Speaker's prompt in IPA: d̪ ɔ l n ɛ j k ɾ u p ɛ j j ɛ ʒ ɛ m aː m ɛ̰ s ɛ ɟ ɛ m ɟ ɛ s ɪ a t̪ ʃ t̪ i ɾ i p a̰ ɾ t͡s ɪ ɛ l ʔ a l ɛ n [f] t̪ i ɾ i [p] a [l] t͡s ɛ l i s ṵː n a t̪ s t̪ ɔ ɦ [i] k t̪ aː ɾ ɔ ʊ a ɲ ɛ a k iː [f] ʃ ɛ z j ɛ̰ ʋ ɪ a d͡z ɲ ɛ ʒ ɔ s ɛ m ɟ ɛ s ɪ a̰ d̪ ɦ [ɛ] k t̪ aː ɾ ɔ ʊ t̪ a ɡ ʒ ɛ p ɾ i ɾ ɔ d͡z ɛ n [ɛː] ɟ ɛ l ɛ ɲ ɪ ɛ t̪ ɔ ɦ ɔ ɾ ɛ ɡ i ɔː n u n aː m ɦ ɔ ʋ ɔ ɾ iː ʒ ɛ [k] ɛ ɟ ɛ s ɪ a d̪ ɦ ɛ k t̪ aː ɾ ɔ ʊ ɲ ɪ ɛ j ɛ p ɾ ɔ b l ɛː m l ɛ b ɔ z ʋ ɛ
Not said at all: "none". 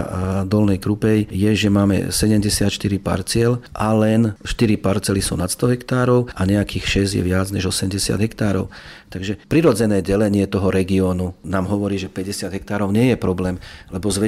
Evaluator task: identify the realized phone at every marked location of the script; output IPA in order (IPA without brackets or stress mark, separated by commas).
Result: ʃ, p, ɾ, ɛ, x, ɛ, ɛː, p